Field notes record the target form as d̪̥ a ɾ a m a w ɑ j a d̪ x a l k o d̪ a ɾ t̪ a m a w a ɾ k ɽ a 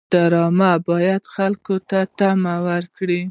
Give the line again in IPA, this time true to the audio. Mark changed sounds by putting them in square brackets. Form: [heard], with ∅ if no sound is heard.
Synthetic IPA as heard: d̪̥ a ɾ [ɑ] m a [b] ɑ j a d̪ x a l k o [t̪] a [∅] t̪ a m a w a ɾ k ɽ [i]